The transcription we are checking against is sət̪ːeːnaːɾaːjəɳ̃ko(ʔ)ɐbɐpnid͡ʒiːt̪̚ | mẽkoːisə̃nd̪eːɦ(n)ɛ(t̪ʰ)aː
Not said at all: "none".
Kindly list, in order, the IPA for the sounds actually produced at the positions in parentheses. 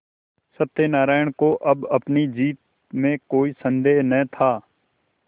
ʔ, n, t̪ʰ

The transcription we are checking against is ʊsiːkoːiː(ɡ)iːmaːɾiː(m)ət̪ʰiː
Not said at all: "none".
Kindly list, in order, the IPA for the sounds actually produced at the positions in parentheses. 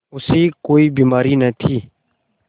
b, n

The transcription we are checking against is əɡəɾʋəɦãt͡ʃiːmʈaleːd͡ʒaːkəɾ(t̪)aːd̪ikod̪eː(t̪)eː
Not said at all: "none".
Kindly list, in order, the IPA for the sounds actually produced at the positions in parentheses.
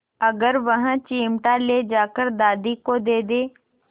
d̪, d̪

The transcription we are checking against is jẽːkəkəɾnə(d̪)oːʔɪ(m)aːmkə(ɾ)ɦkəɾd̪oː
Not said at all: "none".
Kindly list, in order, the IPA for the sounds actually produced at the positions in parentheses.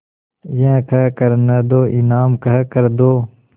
d̪, n, none

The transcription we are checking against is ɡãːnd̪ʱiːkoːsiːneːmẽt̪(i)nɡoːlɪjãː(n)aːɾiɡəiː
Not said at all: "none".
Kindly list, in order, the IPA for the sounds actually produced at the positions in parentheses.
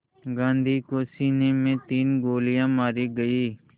iː, m

